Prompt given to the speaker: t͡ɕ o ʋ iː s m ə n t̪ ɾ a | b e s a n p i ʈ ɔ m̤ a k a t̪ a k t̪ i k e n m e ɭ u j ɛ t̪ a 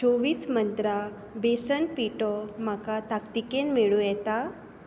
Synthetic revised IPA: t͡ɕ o ʋ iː s m ə n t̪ ɾ a | b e s ə n p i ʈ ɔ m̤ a k a t̪ a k t̪ i k e n m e ɭ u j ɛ t̪ a